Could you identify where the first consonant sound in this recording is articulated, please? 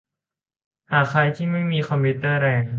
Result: glottal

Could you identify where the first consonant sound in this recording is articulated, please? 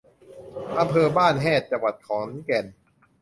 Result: glottal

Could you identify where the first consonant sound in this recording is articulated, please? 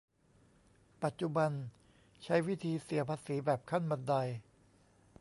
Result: labial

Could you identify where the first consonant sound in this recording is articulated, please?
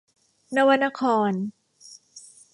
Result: alveolar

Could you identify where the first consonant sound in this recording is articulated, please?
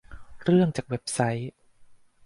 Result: alveolar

